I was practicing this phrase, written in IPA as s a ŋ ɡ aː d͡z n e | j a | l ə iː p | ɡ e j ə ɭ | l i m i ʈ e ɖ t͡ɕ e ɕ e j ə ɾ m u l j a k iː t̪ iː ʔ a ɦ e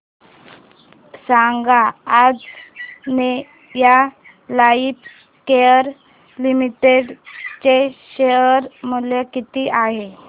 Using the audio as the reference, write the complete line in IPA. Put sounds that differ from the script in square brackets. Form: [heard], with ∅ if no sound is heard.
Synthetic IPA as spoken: s a ŋ ɡ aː d͡z n e | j a | l [a] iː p | [k] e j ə [ɾ] | l i m i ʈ e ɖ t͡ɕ e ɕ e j ə ɾ m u l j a k [i] t̪ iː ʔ a ɦ e